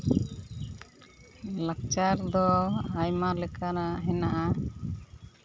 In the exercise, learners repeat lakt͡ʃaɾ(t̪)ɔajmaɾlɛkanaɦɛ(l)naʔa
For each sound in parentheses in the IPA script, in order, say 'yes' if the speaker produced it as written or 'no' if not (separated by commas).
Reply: no, no